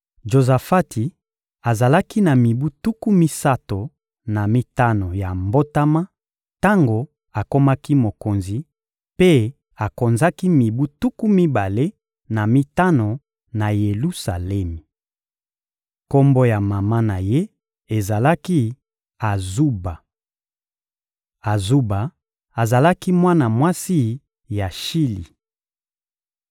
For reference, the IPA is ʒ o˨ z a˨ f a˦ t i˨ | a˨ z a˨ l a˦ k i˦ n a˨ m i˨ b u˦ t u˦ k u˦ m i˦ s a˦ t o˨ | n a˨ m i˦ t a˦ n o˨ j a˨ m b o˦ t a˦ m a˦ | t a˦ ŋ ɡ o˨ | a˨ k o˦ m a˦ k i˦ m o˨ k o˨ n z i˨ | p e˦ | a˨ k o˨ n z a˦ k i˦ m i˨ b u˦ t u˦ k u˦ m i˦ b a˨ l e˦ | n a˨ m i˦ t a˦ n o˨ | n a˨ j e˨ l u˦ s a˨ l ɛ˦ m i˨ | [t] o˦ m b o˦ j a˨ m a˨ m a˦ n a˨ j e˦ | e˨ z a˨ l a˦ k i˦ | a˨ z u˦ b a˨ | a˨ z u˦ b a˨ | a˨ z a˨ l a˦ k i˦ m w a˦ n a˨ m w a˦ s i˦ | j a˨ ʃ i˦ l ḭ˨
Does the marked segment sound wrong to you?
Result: yes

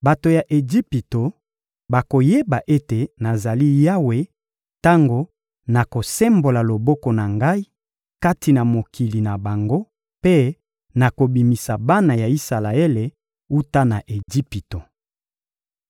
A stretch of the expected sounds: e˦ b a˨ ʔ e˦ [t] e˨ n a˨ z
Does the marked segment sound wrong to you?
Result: no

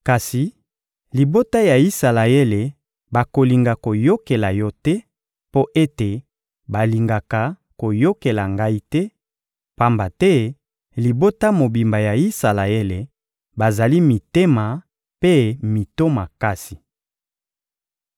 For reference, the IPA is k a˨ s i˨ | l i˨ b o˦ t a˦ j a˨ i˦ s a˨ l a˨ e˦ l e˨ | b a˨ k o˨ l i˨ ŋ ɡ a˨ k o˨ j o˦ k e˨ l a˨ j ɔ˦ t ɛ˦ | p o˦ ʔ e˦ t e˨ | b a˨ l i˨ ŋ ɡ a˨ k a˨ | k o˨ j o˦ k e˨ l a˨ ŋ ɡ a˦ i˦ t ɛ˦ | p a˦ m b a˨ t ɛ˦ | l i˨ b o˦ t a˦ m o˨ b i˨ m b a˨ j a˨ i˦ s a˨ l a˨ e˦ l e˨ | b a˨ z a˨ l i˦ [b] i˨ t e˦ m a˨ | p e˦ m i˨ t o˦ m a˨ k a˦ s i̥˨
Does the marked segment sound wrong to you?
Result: yes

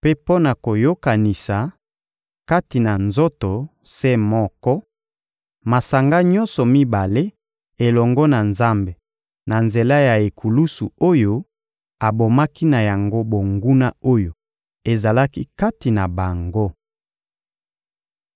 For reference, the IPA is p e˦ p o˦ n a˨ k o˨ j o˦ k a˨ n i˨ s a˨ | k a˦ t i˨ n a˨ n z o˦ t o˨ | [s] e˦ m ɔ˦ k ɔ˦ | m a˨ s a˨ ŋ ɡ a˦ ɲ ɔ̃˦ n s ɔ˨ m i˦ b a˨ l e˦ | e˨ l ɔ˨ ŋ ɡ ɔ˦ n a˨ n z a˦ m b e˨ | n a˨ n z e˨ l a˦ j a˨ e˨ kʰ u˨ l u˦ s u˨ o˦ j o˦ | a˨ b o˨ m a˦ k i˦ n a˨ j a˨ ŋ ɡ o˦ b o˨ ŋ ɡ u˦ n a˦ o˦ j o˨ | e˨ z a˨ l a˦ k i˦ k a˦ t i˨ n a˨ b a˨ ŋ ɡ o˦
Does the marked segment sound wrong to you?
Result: no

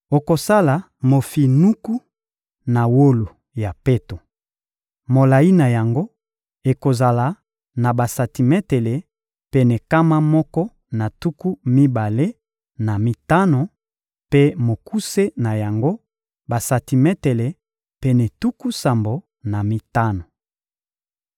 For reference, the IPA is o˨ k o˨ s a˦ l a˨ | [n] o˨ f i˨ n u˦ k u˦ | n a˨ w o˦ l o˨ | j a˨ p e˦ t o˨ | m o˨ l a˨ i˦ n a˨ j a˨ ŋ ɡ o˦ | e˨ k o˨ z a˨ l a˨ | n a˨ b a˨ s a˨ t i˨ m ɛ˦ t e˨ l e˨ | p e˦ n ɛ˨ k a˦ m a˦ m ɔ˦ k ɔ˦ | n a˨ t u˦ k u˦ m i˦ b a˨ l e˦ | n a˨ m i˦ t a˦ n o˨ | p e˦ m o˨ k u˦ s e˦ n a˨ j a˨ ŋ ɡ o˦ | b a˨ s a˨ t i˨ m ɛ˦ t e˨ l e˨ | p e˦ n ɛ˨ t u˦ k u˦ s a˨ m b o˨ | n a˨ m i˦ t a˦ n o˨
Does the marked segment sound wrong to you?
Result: yes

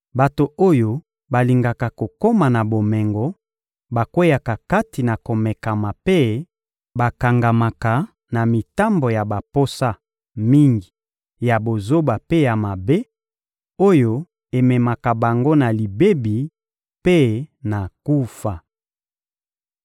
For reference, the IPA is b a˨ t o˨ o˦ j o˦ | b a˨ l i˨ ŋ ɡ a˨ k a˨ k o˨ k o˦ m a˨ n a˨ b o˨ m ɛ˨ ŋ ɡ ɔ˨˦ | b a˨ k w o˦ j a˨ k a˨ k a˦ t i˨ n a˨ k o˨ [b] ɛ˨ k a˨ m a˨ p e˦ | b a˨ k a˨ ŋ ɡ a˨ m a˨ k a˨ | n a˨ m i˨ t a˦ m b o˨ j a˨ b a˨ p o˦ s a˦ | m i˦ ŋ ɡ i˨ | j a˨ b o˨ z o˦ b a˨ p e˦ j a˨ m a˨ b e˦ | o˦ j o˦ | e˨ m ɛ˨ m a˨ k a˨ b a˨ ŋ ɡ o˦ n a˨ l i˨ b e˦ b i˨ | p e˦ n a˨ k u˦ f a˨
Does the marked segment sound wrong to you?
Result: yes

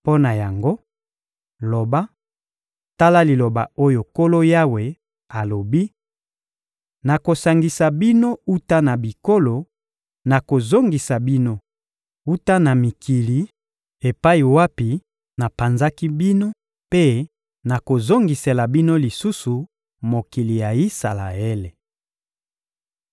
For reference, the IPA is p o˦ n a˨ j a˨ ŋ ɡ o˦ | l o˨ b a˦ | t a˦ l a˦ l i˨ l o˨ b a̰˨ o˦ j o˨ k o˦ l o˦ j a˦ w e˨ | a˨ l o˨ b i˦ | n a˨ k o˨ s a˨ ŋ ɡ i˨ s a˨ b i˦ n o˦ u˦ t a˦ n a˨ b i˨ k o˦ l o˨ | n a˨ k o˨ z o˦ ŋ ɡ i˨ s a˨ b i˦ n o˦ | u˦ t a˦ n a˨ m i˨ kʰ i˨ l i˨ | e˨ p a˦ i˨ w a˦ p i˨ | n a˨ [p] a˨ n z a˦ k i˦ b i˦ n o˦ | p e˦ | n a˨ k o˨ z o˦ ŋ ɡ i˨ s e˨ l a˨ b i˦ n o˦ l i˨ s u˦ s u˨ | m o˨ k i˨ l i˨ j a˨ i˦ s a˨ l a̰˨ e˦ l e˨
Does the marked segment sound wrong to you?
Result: no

